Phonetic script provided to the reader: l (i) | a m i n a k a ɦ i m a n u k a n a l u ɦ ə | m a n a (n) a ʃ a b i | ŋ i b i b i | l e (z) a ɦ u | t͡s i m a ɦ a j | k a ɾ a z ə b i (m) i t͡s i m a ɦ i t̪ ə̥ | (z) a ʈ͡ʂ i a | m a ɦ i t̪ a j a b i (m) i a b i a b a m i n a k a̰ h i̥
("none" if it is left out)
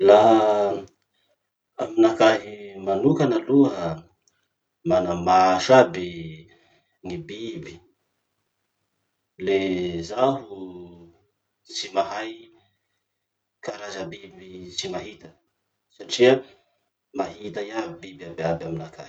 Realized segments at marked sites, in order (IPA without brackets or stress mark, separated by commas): a, m, z, b, s, b